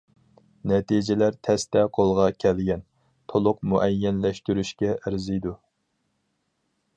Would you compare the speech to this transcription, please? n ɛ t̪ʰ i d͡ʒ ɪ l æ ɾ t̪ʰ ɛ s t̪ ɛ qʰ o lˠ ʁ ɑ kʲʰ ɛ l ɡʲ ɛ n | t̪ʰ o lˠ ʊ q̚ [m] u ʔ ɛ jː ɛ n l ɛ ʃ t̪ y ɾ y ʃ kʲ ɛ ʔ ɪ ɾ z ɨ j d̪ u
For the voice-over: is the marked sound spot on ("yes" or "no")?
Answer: yes